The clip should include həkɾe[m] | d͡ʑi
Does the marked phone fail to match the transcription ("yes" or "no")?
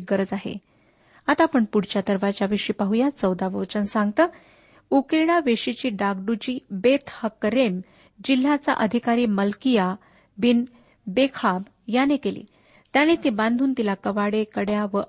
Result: no